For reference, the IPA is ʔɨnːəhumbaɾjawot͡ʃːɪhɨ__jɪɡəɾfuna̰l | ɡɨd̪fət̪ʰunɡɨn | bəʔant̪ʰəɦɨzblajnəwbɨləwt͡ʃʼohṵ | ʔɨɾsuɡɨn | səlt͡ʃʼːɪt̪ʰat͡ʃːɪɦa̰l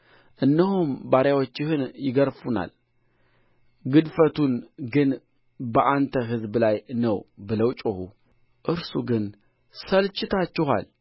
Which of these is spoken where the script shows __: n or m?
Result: n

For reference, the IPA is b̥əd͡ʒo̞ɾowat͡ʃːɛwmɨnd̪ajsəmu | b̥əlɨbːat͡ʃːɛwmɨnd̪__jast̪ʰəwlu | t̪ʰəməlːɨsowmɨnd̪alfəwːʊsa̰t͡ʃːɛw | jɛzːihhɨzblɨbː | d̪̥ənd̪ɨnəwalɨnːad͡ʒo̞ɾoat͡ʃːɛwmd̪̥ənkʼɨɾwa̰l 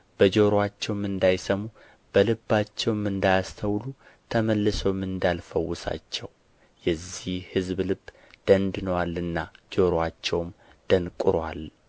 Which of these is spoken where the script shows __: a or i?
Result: a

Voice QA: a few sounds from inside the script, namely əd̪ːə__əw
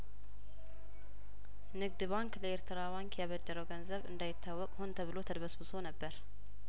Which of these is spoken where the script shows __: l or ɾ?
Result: ɾ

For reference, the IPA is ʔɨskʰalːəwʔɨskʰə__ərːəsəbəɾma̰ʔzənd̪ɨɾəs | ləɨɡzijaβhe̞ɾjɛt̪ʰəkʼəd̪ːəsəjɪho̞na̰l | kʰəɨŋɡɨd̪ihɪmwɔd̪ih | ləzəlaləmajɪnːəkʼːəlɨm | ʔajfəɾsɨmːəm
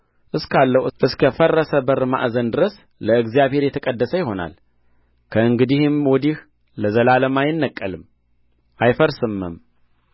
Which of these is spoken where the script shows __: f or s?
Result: f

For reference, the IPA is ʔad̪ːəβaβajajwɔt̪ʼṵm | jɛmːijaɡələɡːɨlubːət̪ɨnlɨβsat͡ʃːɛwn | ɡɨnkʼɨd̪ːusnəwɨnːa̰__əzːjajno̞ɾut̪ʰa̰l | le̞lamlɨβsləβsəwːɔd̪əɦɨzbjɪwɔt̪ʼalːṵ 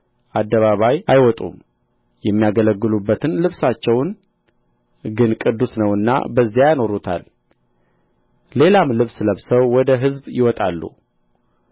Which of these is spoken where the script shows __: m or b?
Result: b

